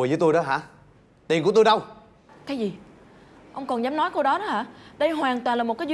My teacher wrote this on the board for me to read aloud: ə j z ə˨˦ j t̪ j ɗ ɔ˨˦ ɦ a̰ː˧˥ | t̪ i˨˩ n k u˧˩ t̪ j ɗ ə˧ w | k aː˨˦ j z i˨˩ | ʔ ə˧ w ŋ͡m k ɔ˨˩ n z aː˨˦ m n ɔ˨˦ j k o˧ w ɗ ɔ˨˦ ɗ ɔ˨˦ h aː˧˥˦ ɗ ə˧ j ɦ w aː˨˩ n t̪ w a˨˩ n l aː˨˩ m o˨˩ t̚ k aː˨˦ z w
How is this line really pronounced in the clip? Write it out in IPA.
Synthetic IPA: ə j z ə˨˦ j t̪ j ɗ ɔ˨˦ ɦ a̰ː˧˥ | t̪ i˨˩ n k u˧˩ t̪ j ɗ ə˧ w | k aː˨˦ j z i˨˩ | ʔ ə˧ w ŋ͡m k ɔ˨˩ n z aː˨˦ m n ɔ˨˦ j k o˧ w ɗ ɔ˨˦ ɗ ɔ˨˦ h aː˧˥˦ ɗ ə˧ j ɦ w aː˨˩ n t̪ w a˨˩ n l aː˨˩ m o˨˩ t̚ k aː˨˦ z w